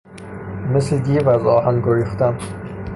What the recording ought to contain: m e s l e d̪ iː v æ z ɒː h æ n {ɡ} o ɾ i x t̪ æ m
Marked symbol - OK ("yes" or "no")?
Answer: yes